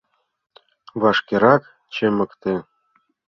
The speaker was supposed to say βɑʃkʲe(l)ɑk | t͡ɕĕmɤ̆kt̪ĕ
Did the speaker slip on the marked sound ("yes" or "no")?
yes